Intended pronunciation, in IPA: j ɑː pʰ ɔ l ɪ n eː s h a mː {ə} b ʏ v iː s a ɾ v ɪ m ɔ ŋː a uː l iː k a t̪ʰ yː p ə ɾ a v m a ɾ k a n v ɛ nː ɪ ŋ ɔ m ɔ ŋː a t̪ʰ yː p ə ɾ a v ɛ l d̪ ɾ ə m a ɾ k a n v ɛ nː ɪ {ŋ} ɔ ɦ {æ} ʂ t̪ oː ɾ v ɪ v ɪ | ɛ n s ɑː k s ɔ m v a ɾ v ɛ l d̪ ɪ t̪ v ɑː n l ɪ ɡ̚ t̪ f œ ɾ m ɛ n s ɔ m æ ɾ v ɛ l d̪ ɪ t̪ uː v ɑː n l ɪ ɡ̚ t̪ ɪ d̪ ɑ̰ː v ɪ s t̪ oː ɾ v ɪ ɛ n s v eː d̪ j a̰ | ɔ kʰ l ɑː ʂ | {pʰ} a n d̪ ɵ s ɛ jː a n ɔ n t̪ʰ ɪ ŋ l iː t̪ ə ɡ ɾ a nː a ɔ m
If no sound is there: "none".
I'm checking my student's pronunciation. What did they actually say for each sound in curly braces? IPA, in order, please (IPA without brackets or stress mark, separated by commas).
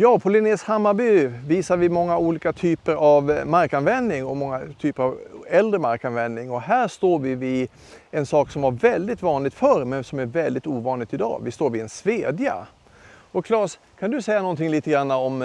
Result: a, ŋ, æː, kʰ